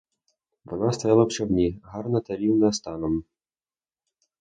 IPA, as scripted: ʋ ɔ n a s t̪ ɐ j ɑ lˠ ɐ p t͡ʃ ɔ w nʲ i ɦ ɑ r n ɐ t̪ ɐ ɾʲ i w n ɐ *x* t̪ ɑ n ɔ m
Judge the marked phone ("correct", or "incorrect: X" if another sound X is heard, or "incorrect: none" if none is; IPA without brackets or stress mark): incorrect: s